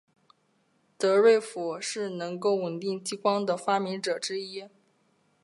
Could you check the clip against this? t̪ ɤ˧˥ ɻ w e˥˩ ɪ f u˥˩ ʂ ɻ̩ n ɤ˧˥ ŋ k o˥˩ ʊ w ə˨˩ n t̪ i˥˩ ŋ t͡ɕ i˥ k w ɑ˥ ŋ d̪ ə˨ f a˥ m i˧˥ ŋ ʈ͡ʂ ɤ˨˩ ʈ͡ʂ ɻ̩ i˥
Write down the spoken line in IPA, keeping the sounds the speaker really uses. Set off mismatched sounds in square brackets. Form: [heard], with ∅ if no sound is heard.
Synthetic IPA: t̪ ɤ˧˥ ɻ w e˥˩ ɪ f [u˨˩] ʂ ɻ̩ n ɤ˧˥ ŋ k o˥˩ ʊ w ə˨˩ n t̪ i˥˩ ŋ t͡ɕ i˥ k w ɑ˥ ŋ d̪ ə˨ f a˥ m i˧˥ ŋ ʈ͡ʂ ɤ˨˩ ʈ͡ʂ ɻ̩ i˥

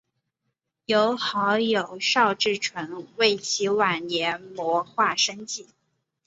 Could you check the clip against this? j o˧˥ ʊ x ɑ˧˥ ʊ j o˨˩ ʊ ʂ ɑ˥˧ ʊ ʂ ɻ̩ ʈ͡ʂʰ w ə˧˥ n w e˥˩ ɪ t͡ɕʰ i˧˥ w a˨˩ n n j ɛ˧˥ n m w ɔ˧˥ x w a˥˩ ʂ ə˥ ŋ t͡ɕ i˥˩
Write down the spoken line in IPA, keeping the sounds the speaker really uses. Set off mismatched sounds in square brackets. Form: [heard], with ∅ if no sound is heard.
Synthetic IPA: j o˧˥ ʊ x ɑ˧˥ ʊ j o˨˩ ʊ ʂ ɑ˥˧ ʊ [ʈ͡ʂ] ɻ̩ ʈ͡ʂʰ w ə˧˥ n w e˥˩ ɪ t͡ɕʰ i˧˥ w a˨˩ n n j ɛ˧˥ n m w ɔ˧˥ x w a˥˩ ʂ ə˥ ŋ t͡ɕ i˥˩

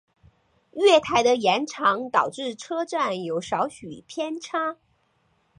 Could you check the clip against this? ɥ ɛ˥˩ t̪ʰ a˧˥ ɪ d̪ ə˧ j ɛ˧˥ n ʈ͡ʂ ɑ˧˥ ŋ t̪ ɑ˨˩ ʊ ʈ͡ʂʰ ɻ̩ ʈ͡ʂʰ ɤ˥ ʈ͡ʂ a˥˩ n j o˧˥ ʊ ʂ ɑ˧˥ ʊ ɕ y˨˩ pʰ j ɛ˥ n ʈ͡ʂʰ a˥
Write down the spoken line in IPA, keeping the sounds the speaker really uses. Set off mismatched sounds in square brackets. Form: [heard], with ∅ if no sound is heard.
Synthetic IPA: ɥ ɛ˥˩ t̪ʰ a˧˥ ɪ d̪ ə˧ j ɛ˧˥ n [ʈ͡ʂʰ] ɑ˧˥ ŋ t̪ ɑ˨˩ ʊ [ʈ͡ʂ] ɻ̩ ʈ͡ʂʰ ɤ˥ ʈ͡ʂ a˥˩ n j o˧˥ ʊ ʂ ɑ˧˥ ʊ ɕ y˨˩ pʰ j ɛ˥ n ʈ͡ʂʰ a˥

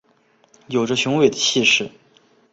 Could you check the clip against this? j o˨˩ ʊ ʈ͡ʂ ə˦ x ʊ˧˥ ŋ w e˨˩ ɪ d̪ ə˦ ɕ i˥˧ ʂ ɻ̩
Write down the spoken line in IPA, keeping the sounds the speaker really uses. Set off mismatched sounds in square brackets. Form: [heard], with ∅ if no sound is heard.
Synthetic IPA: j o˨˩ ʊ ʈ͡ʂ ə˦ [ɕ] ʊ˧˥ ŋ w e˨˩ ɪ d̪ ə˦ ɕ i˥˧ ʂ ɻ̩

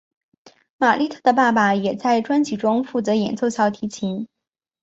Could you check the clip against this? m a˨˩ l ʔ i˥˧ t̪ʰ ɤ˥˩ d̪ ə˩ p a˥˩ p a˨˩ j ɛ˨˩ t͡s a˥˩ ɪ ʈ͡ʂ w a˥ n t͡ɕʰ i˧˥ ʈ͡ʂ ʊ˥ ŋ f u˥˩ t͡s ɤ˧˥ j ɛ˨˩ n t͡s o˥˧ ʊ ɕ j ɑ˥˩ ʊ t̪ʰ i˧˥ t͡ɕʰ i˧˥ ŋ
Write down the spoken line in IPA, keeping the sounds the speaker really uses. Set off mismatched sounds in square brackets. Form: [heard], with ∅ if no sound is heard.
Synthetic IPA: m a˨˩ l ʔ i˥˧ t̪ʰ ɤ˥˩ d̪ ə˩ p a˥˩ p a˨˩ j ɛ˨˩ t͡s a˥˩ ɪ ʈ͡ʂ w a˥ n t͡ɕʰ [i˨˩] ʈ͡ʂ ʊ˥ ŋ f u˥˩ t͡s ɤ˧˥ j ɛ˨˩ n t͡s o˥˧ ʊ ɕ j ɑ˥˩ ʊ t̪ʰ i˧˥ t͡ɕʰ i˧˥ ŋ

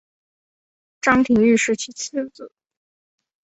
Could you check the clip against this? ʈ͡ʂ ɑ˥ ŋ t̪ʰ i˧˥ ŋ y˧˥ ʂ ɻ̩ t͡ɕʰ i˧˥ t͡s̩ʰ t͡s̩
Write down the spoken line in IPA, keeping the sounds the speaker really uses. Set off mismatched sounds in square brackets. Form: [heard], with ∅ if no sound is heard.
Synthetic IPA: ʈ͡ʂ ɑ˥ ŋ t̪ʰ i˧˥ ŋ [y˥˧] ʂ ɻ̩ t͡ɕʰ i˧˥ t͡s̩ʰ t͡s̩

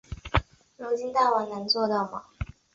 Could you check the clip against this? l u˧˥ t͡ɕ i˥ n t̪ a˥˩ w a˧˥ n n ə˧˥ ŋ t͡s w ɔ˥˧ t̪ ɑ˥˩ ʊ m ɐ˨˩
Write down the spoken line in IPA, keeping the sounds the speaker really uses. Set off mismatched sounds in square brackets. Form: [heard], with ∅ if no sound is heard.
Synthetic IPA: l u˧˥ t͡ɕ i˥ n t̪ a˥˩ w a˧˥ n n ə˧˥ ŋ t͡s w ɔ˥˧ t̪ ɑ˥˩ ʊ m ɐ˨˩

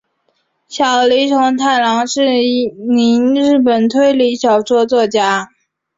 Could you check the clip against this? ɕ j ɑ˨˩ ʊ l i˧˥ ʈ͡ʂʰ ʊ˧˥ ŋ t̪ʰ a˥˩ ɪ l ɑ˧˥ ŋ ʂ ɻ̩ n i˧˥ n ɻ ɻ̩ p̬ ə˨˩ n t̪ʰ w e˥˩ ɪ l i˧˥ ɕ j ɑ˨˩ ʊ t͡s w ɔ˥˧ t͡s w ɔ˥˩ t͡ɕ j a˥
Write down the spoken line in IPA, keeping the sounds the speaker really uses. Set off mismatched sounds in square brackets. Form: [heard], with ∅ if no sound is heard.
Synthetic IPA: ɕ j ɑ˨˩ ʊ l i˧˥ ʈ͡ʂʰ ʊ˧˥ ŋ t̪ʰ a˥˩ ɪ l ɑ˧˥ ŋ ʂ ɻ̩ n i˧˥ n ɻ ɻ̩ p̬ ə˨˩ n t̪ʰ w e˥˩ ɪ l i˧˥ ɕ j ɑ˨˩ ʊ t͡s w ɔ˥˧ t͡s w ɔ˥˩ t͡ɕ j a˥

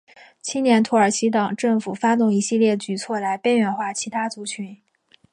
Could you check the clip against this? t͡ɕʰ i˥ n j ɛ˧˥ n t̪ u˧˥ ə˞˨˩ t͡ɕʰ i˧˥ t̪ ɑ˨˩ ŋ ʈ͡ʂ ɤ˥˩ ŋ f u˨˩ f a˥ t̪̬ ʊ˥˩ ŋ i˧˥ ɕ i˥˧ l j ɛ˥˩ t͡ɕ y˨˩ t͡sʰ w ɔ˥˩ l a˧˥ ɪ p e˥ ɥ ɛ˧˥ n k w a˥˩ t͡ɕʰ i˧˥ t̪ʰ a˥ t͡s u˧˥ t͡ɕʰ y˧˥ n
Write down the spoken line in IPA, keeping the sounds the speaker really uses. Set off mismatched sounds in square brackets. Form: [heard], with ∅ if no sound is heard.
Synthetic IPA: t͡ɕʰ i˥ n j ɛ˧˥ n [t̪ʰ] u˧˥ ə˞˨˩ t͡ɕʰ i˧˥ t̪ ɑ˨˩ ŋ ʈ͡ʂ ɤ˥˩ ŋ f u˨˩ f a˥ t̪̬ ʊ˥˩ ŋ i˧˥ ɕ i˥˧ l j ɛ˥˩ t͡ɕ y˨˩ t͡sʰ w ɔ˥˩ l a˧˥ ɪ p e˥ ɥ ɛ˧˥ n [x] w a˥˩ t͡ɕʰ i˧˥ t̪ʰ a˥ t͡s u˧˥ t͡ɕʰ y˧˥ n

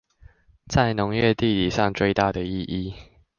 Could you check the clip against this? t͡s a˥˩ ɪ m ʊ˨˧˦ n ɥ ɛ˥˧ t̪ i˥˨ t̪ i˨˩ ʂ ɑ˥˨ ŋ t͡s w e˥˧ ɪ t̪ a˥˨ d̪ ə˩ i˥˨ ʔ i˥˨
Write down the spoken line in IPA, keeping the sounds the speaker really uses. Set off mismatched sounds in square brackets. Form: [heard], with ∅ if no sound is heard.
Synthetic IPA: t͡s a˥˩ ɪ [n] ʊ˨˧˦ [ŋ] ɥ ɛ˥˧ t̪ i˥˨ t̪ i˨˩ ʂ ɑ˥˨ ŋ t͡s w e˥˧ ɪ t̪ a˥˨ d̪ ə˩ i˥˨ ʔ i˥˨

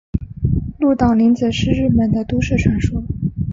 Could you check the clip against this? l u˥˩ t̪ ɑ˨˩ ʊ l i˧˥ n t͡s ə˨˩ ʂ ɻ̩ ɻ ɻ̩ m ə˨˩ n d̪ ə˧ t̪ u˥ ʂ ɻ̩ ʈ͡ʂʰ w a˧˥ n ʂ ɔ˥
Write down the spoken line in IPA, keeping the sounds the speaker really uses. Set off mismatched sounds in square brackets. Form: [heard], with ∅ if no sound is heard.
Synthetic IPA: l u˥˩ t̪ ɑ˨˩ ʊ l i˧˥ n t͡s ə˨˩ ʂ ɻ̩ ɻ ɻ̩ m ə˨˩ n d̪ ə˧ t̪ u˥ ʂ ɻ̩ ʈ͡ʂʰ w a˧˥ n ʂ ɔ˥

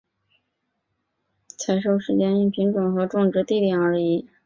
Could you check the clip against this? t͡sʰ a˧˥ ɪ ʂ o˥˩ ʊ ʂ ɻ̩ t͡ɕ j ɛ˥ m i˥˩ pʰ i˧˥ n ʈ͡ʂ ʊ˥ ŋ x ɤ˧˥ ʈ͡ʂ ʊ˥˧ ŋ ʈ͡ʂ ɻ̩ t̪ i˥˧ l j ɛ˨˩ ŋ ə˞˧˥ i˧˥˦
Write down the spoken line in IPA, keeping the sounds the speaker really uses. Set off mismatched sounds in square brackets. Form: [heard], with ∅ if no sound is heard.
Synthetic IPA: t͡sʰ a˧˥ ɪ ʂ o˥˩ ʊ ʂ ɻ̩ t͡ɕ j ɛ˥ [n] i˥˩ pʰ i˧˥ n ʈ͡ʂ [ʊ˨˩] ŋ x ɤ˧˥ ʈ͡ʂ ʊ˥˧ ŋ ʈ͡ʂ ɻ̩ t̪ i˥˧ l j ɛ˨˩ ŋ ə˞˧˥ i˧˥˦

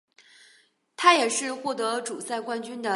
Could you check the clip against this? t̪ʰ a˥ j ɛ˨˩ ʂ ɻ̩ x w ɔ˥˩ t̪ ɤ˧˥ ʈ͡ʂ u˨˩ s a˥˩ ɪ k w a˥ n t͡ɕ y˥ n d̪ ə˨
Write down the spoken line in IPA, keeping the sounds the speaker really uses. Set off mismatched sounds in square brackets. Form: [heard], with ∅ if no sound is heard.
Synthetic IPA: t̪ʰ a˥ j ɛ˨˩ ʂ ɻ̩ x w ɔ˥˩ t̪ ɤ˧˥ ʈ͡ʂ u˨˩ s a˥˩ ɪ k w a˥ n t͡ɕ y˥ n d̪ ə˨

